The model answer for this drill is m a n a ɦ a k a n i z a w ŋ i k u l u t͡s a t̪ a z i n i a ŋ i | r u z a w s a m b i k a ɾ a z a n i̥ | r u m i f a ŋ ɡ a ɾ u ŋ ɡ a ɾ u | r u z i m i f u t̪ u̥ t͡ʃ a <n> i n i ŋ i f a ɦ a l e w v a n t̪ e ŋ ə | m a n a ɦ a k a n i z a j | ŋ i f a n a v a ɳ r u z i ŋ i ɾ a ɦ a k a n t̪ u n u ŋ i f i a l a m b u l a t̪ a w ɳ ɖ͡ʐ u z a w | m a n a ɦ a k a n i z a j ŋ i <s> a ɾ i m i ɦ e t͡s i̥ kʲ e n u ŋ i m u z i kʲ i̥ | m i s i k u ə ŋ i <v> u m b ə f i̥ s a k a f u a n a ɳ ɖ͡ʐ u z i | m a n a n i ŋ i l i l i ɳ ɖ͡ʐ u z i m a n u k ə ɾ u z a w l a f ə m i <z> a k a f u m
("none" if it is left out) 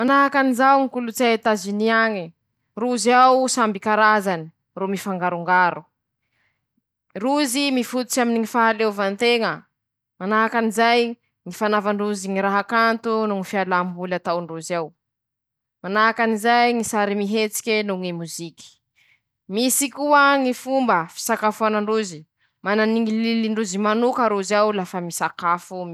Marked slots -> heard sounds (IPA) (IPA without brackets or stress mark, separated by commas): m, s, f, s